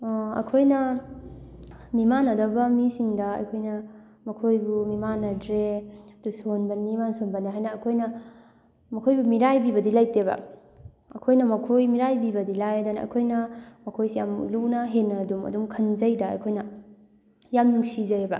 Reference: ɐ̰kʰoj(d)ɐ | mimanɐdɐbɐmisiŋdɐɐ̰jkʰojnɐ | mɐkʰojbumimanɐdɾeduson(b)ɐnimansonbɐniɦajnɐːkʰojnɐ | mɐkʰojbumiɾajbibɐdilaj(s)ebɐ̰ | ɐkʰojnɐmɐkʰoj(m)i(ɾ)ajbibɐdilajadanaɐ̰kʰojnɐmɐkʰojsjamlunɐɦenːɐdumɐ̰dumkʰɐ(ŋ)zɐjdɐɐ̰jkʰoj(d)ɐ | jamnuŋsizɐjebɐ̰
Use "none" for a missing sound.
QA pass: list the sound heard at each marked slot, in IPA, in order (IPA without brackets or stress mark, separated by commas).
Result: n, b, t, m, ɾ, n, n